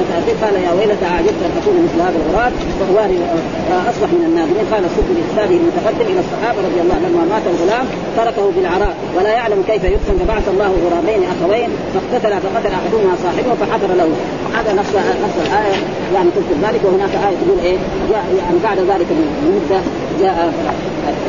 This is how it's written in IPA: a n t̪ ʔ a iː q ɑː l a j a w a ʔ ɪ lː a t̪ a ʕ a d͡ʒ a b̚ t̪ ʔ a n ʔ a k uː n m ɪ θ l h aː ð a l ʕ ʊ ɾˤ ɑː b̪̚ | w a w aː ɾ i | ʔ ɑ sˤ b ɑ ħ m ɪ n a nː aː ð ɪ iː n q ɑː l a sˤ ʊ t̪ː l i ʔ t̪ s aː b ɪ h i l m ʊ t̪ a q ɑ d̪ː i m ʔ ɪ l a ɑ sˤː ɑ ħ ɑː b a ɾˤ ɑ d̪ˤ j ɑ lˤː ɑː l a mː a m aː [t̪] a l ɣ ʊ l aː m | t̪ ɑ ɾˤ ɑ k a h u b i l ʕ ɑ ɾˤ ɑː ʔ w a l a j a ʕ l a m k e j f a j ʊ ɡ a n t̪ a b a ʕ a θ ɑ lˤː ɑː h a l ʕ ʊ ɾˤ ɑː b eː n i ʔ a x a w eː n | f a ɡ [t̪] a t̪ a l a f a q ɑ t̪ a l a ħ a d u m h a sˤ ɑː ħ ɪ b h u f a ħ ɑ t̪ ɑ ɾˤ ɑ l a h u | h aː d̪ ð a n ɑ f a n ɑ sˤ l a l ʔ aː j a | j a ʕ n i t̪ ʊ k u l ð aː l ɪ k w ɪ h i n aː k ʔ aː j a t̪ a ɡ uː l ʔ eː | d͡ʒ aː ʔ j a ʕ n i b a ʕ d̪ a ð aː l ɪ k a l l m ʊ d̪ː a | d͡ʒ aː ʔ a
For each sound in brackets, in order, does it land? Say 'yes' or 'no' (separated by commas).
yes, yes